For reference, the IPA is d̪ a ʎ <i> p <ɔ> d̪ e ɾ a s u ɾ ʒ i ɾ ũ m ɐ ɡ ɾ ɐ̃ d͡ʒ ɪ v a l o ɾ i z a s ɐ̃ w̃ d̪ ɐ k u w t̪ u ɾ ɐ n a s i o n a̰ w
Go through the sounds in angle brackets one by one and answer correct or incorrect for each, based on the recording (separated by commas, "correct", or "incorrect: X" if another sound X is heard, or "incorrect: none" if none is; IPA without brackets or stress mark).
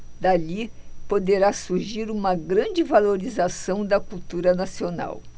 correct, incorrect: o